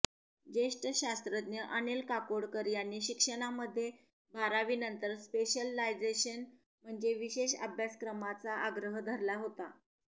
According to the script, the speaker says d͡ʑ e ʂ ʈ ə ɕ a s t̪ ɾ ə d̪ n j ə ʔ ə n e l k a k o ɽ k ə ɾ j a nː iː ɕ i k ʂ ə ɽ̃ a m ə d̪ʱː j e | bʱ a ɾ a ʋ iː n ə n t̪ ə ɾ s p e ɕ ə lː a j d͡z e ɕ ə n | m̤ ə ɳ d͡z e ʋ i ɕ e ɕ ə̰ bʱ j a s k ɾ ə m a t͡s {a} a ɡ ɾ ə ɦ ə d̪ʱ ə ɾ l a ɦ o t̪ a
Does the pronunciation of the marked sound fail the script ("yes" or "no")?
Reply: no